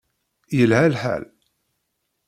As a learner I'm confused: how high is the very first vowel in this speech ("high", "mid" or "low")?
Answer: mid